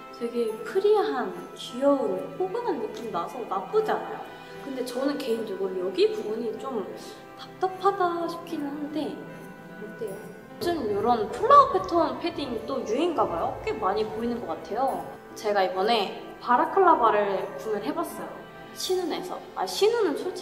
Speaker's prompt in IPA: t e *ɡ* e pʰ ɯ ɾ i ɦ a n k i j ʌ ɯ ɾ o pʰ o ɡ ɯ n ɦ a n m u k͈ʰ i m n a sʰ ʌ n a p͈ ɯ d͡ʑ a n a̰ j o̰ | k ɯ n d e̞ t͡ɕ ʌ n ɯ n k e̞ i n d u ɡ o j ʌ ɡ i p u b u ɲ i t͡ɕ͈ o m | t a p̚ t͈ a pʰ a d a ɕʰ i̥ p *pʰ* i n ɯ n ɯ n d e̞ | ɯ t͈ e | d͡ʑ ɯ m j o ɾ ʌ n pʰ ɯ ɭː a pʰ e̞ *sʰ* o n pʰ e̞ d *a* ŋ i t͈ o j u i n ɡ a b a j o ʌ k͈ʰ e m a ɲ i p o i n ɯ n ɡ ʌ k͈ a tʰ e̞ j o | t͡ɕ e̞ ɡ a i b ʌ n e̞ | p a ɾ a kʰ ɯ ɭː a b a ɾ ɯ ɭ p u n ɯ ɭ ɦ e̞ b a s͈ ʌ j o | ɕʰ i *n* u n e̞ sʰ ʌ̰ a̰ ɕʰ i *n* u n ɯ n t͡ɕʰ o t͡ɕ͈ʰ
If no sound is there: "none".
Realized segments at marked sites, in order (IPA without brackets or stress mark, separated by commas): ɡ, kʰ, tʰ, i, n, n